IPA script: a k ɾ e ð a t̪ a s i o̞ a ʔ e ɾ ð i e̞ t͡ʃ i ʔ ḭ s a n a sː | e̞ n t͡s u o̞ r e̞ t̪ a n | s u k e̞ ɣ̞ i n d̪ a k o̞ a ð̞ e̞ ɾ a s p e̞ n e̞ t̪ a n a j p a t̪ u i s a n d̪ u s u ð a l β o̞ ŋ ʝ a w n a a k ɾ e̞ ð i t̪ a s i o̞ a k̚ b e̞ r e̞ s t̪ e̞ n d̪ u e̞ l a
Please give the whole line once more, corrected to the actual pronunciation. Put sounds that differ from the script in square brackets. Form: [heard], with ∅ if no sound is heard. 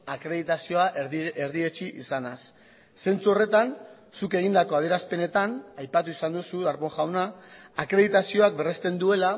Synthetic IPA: a k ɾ e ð [i] t̪ a s i o̞ a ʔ e ɾ ð i e̞ t͡ʃ i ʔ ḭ s a n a sː | e̞ n t͡s u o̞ r e̞ t̪ a n | s u k e̞ ɣ̞ i n d̪ a k o̞ a ð̞ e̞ ɾ a s p e̞ n e̞ t̪ a n a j p a t̪ u i s a n d̪ u s u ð a [ɾ] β o̞ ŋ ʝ a w n a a k ɾ e̞ ð i t̪ a s i o̞ a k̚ b e̞ r e̞ s t̪ e̞ n d̪ u e̞ l a